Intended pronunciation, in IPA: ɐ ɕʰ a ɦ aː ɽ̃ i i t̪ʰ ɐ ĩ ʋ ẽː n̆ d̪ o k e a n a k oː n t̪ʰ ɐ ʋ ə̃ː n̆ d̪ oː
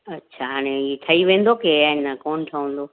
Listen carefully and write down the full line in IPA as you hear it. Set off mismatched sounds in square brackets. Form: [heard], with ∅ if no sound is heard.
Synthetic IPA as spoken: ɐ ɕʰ a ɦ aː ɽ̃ [e] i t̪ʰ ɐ [i] ʋ ẽː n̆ d̪ o k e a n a k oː n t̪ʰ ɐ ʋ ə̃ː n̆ d̪ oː